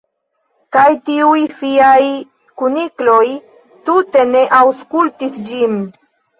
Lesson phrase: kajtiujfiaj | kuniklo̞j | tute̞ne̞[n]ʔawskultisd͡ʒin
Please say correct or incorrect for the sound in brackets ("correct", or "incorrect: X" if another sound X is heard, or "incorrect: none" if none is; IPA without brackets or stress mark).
incorrect: none